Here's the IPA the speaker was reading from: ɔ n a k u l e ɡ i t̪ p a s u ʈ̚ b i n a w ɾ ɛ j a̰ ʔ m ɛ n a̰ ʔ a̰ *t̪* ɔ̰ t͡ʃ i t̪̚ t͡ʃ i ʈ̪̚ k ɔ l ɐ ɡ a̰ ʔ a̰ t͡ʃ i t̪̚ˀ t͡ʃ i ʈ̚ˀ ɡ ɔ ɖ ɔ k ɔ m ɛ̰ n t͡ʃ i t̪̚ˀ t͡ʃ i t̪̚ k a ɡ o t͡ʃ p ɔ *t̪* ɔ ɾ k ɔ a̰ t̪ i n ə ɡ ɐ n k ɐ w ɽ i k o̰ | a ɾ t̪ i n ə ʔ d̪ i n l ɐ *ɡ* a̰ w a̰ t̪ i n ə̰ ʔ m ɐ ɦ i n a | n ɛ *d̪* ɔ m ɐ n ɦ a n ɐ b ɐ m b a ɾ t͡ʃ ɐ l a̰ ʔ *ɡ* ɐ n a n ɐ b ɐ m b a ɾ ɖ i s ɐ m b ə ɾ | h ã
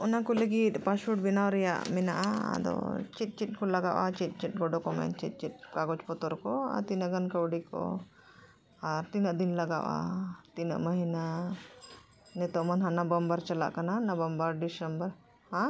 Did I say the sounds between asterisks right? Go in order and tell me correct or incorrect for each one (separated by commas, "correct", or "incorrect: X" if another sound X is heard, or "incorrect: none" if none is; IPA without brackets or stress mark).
incorrect: d̪, correct, correct, incorrect: t̪, incorrect: k